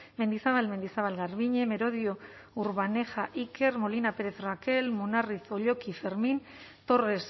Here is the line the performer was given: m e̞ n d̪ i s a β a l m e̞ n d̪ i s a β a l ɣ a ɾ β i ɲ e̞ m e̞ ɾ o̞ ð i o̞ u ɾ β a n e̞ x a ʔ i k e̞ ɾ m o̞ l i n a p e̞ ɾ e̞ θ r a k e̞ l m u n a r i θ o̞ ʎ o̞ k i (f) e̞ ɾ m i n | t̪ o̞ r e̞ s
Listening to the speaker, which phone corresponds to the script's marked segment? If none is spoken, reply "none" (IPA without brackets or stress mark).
f